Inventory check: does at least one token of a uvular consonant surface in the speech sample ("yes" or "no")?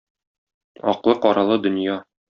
yes